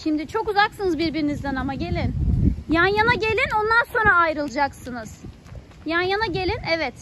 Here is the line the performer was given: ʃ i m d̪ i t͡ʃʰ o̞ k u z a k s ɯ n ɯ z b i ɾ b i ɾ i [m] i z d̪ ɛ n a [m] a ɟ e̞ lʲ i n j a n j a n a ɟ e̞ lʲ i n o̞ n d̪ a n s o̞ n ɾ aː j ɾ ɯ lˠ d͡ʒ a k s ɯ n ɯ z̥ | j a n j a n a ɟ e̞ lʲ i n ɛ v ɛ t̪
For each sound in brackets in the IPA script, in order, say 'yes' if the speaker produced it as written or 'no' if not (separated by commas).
no, yes